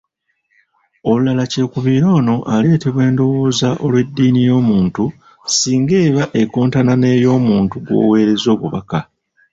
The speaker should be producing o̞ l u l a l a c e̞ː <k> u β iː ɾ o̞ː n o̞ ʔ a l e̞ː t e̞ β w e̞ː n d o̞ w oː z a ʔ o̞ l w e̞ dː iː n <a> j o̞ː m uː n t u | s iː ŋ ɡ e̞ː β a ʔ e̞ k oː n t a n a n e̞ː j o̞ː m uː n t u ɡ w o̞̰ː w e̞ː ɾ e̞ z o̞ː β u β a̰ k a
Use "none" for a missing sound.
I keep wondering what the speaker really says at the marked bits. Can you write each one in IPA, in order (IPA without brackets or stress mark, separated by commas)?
k, i